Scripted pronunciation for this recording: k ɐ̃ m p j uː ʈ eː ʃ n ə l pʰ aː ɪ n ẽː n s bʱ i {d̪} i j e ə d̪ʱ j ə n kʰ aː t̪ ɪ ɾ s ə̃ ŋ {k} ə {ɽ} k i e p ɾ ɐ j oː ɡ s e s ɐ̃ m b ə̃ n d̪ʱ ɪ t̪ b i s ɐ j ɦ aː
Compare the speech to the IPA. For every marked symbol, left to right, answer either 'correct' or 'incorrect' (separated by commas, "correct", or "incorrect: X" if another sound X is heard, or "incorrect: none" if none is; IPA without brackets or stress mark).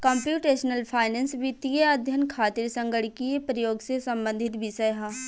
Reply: incorrect: t̪, incorrect: ɡ, correct